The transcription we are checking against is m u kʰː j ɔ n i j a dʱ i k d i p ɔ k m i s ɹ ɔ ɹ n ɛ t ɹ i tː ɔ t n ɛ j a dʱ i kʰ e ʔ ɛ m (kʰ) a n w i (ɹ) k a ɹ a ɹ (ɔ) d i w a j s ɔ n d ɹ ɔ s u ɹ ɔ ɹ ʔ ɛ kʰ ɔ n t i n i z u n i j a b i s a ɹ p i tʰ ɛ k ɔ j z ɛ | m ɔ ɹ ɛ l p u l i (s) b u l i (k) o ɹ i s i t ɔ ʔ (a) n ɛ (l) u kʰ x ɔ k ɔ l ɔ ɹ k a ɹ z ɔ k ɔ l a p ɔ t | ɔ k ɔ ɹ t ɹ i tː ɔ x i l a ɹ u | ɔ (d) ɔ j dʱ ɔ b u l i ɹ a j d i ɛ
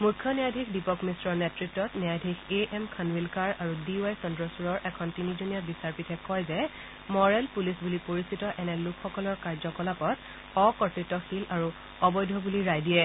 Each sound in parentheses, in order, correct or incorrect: correct, incorrect, incorrect, correct, incorrect, incorrect, correct, incorrect

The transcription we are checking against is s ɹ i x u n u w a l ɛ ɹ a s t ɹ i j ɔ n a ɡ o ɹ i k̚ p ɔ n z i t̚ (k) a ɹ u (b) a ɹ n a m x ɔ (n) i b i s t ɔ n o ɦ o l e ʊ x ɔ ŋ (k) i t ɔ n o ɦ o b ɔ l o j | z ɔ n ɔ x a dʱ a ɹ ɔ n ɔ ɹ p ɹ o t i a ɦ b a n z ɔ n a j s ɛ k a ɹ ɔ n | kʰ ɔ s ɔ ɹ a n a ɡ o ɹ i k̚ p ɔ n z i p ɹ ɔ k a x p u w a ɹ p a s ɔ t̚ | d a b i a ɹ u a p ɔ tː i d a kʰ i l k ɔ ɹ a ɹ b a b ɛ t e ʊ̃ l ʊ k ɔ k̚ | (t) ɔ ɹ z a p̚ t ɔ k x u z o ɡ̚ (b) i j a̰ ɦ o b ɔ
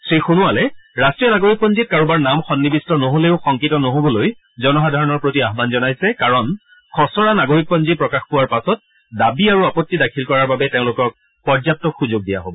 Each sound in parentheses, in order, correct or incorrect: correct, correct, incorrect, correct, incorrect, incorrect

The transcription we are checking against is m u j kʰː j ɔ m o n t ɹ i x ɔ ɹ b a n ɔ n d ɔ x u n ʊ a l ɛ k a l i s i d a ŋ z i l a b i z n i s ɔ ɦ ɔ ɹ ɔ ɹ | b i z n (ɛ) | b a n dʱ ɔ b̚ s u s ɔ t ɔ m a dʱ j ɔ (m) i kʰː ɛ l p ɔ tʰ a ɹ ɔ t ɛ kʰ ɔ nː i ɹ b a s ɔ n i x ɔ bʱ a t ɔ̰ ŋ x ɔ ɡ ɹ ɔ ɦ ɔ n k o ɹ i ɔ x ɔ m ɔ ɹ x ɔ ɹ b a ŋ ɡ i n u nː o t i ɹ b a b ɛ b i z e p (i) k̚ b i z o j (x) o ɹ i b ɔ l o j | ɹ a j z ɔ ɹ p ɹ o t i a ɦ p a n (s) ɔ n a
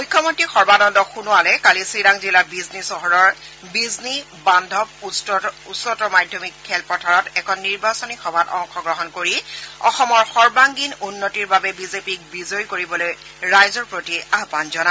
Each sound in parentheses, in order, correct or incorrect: incorrect, correct, correct, incorrect, incorrect

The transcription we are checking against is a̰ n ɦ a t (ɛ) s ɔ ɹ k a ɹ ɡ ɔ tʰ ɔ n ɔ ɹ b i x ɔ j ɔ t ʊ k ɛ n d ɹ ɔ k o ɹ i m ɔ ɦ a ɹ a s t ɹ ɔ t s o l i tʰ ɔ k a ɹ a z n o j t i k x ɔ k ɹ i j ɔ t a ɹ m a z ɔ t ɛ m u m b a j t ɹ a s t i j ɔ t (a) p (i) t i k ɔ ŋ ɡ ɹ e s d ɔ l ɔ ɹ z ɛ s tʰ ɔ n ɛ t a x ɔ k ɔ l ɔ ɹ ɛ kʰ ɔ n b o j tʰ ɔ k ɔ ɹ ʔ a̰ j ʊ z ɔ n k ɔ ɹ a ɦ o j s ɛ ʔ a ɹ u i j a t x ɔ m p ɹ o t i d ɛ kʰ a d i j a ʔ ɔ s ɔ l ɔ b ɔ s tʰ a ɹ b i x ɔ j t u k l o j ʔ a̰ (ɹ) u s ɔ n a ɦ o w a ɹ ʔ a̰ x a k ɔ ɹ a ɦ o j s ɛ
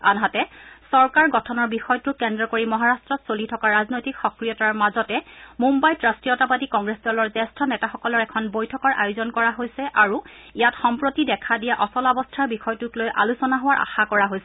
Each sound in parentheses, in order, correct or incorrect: correct, correct, incorrect, incorrect

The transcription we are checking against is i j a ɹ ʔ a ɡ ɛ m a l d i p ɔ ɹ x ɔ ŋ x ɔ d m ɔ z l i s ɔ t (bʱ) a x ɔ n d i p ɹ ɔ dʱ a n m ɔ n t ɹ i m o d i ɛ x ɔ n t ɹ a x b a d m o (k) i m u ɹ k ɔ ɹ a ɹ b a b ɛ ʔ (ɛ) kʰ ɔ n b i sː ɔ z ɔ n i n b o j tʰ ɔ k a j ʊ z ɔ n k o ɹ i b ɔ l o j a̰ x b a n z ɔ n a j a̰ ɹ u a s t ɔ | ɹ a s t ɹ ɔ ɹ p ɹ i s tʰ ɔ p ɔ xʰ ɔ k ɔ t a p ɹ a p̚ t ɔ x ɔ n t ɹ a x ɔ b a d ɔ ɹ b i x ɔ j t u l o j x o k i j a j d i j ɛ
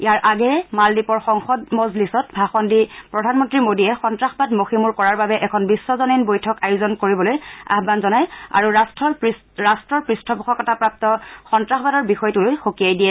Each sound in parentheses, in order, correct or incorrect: correct, incorrect, correct

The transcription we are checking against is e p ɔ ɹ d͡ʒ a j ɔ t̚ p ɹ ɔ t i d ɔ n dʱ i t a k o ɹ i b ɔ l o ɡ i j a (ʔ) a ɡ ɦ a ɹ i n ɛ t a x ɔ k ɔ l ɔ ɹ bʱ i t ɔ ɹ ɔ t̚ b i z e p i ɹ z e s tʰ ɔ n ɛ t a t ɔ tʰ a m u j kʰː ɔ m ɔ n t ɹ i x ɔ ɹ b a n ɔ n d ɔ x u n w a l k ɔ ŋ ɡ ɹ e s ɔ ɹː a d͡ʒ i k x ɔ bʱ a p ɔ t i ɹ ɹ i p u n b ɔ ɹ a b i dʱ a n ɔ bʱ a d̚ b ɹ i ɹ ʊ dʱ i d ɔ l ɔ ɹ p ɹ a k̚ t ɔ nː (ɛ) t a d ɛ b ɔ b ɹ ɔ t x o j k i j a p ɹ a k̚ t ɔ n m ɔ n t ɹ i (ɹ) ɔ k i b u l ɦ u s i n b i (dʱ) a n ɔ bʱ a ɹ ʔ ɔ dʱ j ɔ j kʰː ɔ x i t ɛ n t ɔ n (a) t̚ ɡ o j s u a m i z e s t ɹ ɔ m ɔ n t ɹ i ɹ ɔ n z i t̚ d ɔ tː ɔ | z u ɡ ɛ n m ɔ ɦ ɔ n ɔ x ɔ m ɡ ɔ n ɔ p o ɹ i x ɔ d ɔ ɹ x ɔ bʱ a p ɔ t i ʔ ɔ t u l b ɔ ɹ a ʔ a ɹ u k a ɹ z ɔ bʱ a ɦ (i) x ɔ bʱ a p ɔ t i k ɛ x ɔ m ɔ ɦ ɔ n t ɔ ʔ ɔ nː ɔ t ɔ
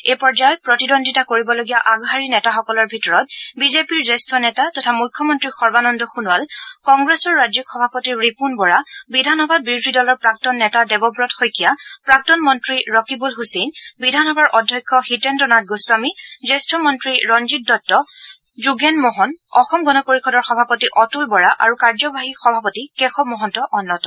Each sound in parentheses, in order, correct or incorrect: correct, correct, correct, correct, correct, correct

